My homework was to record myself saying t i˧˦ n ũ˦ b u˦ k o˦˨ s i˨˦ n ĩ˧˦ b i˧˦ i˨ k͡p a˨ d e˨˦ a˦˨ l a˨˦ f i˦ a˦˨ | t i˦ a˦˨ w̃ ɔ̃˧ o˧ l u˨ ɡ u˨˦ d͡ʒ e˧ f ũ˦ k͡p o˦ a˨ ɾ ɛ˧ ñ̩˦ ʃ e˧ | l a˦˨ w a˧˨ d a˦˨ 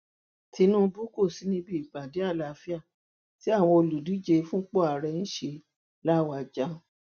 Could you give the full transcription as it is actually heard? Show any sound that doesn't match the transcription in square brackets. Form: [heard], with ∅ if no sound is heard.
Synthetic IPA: t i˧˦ n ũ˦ b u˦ k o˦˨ s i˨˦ n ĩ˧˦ b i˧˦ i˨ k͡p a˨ d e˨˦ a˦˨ l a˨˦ f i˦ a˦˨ | t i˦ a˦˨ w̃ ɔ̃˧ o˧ l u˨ [d] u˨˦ d͡ʒ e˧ f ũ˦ k͡p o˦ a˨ ɾ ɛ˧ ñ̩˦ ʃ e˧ | l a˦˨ w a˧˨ [d͡ʒ] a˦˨